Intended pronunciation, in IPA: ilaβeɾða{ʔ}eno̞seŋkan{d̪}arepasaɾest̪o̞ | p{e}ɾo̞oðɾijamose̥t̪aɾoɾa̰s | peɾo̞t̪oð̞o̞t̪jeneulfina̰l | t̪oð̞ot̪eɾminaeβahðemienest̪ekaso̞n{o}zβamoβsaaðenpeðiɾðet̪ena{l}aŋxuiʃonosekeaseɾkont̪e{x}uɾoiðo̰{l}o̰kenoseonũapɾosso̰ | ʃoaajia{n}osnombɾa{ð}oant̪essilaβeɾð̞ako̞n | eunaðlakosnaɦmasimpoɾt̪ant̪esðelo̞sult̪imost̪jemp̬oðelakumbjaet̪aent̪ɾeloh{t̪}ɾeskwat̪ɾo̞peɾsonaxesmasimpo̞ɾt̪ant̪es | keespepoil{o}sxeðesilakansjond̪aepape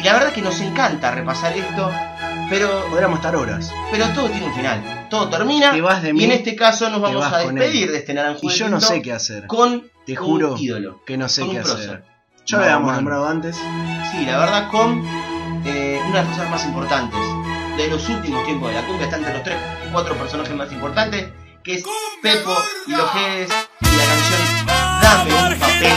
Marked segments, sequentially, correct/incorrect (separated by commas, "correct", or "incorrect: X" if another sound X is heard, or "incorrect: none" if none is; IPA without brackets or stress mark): incorrect: k, incorrect: t̪, correct, correct, incorrect: ɾ, correct, correct, incorrect: m, correct, correct, correct